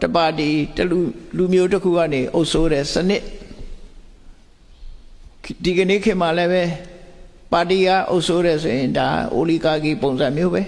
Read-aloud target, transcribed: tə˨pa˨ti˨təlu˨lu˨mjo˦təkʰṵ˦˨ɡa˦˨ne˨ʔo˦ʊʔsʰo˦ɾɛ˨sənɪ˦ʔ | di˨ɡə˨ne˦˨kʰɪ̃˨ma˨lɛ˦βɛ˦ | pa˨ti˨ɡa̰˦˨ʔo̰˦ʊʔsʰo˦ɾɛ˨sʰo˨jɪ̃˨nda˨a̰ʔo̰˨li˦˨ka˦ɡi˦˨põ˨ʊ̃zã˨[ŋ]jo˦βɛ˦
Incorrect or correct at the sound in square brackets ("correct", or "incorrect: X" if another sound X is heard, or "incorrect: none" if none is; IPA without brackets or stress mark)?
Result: incorrect: m